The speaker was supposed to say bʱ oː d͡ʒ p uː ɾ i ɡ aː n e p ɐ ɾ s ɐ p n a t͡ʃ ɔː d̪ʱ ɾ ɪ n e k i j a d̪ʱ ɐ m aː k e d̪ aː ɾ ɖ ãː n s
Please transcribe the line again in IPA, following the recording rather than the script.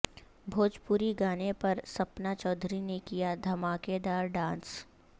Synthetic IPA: bʱ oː d͡ʒ p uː ɾ i ɡ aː n e p ɐ ɾ s ɐ p n a t͡ʃ ɔː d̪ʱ ɾ i n e k i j a d̪ʱ ɐ m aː k e d̪ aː ɾ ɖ ãː n s